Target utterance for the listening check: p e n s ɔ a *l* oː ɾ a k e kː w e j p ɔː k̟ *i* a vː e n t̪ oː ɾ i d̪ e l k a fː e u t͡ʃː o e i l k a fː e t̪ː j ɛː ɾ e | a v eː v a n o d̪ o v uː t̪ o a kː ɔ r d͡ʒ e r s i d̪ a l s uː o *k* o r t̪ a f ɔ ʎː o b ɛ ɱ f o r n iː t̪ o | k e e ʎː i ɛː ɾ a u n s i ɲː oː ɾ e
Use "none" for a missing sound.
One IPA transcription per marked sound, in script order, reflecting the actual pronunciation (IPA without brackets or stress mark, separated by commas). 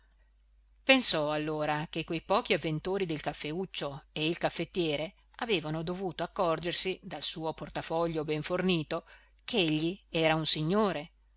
lː, i, p